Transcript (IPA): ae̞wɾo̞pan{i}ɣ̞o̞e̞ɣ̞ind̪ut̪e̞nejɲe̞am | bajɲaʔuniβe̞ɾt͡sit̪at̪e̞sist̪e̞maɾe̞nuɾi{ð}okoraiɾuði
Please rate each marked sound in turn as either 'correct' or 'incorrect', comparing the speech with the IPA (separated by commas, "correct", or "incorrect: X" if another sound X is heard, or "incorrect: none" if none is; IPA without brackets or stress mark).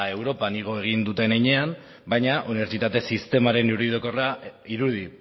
correct, correct